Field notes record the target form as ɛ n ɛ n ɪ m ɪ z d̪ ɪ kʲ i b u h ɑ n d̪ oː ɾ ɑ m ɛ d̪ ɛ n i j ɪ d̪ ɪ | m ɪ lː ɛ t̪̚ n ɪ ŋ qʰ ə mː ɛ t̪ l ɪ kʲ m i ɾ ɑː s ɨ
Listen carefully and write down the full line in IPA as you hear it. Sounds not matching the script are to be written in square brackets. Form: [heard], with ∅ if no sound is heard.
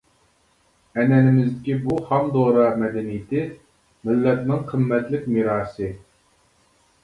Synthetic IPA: ɛ n ɛ n ɪ m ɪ z d̪ ɪ kʲ i b u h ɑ [m] d̪ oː ɾ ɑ m ɛ d̪ ɛ n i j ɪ [t̪] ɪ | m ɪ lː ɛ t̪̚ n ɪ ŋ qʰ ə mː ɛ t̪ l ɪ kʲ m i ɾ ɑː s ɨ